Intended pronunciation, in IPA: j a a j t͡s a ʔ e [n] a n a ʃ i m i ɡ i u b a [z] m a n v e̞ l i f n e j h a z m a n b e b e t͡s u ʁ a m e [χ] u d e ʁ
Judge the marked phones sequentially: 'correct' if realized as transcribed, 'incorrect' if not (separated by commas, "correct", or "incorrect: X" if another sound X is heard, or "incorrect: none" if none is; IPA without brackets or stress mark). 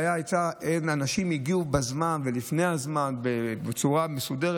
correct, correct, incorrect: s